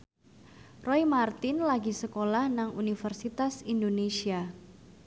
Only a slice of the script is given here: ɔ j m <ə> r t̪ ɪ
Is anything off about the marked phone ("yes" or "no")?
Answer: yes